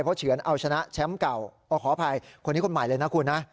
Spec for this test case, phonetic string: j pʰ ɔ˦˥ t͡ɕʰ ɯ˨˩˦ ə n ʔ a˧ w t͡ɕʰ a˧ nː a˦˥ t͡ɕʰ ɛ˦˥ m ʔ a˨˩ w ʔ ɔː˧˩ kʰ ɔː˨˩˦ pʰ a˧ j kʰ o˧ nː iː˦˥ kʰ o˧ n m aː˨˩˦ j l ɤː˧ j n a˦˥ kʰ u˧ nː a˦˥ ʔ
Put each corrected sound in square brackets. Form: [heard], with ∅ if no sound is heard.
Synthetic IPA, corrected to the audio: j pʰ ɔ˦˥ t͡ɕʰ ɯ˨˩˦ ə n ʔ a˧ w t͡ɕʰ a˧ [n] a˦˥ t͡ɕʰ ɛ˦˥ m [k] a˨˩ w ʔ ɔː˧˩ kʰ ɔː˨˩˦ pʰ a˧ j kʰ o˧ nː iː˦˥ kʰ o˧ n m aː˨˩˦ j l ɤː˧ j n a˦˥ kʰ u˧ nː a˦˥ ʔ